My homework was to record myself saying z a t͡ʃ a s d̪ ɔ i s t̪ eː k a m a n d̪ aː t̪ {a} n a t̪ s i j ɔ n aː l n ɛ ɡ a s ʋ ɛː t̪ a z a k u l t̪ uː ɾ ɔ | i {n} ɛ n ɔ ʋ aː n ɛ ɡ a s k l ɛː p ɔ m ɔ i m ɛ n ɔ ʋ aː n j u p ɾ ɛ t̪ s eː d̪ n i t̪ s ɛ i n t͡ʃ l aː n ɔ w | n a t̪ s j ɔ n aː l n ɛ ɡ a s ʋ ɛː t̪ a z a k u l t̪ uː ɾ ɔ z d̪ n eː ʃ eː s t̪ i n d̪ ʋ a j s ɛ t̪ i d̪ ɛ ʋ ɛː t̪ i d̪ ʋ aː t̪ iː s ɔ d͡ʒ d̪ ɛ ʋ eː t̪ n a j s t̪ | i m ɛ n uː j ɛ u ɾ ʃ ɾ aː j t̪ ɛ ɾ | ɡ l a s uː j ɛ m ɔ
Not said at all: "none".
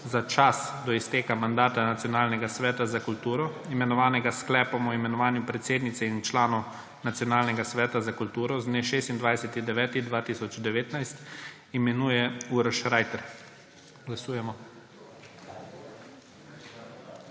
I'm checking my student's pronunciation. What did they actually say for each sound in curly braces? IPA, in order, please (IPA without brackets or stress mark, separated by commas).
a, m